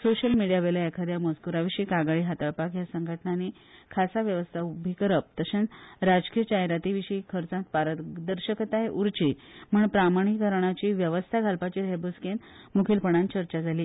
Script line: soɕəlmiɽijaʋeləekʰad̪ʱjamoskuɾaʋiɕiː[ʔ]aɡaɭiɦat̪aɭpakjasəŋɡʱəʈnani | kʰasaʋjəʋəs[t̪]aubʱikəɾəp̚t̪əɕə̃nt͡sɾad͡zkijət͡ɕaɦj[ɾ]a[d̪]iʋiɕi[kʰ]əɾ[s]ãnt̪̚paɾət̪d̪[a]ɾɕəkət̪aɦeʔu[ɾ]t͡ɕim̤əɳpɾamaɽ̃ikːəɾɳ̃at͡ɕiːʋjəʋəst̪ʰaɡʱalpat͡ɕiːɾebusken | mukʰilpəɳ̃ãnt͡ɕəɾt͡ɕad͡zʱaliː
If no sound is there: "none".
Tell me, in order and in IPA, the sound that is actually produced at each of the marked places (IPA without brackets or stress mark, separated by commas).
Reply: k, t̪ʰ, ɾ, t̪, kʰ, t͡s, ə, ɾ